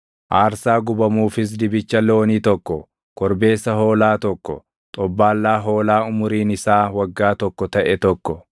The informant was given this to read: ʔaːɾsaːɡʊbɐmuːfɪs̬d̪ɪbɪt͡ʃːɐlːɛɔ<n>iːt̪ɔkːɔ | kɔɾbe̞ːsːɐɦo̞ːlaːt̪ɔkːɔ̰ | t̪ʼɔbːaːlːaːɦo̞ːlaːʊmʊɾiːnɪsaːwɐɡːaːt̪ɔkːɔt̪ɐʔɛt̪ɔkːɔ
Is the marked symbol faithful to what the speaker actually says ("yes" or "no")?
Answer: yes